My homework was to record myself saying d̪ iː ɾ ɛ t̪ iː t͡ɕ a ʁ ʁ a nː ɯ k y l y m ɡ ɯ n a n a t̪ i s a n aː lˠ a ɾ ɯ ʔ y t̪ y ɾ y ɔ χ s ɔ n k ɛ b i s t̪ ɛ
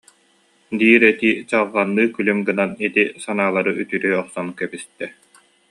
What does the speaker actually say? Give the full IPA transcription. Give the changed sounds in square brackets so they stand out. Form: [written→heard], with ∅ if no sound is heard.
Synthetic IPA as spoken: d̪ iː ɾ ɛ t̪ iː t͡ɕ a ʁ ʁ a nː [ɯ→ɯː] k y l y m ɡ ɯ n a n [a→i] t̪ i s a n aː lˠ a ɾ ɯ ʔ y t̪ y ɾ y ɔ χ s ɔ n k ɛ b i s t̪ ɛ